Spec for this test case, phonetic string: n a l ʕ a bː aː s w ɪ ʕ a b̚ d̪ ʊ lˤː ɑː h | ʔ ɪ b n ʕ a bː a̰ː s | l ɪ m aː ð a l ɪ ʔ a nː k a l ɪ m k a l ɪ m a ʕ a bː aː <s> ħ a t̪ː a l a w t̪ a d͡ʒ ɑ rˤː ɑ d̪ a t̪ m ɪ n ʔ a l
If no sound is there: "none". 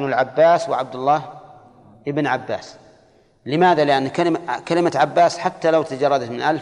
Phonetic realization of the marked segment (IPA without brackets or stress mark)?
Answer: s